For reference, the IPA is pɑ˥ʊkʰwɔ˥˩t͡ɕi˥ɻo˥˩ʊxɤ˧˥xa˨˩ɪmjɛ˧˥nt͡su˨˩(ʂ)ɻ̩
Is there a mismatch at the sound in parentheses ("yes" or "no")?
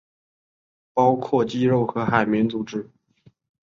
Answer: yes